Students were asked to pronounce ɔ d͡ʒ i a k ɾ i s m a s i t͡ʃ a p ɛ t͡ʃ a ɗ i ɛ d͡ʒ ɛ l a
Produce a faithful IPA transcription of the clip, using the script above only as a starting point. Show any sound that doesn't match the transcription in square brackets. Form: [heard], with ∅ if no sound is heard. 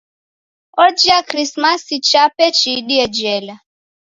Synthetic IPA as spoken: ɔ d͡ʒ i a k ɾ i s m a s i t͡ʃ a p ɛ t͡ʃ [i] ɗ i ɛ d͡ʒ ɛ l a